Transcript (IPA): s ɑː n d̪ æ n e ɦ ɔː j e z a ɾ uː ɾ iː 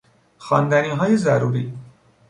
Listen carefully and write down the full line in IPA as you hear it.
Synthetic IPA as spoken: x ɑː n d̪ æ n i ɦ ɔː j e z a ɾ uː ɾ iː